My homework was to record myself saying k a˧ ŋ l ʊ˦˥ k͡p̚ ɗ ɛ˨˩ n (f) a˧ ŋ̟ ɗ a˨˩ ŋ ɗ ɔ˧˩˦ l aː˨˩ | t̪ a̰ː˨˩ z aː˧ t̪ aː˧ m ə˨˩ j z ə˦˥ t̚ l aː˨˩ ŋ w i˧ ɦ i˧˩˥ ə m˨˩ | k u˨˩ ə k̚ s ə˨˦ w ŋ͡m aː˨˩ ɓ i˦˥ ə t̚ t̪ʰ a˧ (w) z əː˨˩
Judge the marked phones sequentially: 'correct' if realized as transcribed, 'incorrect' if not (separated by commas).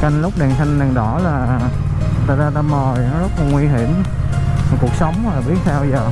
incorrect, correct